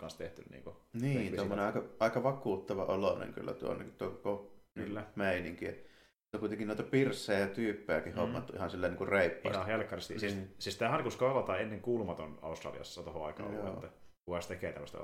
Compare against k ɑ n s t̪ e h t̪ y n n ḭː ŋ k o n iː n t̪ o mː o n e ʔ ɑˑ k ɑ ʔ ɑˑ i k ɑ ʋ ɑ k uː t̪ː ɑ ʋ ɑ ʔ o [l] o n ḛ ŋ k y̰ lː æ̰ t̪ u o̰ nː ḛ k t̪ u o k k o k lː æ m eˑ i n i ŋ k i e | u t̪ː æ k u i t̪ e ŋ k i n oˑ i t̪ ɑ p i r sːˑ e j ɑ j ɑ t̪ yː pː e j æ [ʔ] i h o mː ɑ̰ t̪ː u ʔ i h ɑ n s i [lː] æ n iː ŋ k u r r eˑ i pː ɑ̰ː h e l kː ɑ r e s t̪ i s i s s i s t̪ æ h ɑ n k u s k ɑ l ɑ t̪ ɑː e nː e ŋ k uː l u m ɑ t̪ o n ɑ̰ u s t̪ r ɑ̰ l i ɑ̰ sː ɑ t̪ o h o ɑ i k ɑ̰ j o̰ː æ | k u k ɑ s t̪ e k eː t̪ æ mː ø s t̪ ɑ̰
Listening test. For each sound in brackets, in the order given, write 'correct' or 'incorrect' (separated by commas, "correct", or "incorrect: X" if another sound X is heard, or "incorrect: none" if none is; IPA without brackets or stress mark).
correct, incorrect: k, correct